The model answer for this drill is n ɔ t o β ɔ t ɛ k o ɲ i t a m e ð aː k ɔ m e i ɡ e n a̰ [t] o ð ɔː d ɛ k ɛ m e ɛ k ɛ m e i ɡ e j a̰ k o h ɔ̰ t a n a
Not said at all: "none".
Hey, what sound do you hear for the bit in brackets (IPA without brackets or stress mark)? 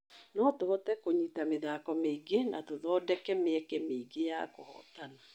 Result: t